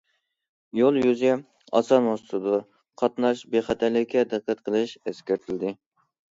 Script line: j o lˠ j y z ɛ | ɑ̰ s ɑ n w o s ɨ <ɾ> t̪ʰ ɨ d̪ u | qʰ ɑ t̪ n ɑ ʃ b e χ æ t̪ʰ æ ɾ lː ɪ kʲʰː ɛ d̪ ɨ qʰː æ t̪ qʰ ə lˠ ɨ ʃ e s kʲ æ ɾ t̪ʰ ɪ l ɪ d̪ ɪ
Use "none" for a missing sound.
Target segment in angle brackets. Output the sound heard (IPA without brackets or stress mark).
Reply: none